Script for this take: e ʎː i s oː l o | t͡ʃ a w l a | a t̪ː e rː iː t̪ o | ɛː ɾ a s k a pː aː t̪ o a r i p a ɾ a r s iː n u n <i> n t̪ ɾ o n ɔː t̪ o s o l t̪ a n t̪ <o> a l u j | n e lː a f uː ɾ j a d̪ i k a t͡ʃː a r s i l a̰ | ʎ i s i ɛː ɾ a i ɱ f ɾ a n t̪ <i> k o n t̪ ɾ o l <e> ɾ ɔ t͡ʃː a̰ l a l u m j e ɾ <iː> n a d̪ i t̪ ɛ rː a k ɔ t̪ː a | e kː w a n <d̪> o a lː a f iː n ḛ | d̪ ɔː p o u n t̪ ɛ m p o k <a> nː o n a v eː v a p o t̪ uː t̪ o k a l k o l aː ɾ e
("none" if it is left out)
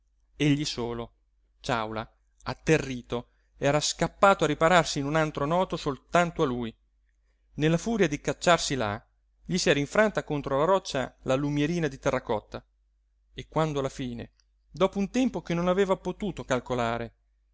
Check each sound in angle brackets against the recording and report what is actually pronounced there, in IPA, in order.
a, o, a, a, iː, d̪, e

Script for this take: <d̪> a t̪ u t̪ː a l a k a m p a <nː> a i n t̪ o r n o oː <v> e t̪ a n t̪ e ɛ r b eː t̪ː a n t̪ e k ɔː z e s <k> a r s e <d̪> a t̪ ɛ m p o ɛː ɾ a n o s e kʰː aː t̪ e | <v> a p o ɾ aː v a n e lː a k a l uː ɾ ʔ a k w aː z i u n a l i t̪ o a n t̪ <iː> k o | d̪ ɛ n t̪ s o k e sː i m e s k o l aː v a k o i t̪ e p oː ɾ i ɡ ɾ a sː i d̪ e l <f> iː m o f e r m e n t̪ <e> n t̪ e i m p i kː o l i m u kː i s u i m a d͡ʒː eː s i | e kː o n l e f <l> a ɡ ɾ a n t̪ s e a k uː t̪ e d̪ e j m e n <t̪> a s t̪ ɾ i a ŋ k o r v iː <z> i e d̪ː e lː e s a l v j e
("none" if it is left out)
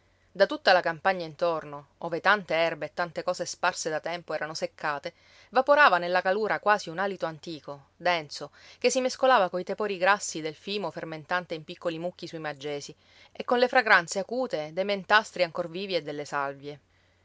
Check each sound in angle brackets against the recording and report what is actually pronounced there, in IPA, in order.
d̪, ɲː, v, p, d̪, v, iː, f, a, ɾ, t̪, v

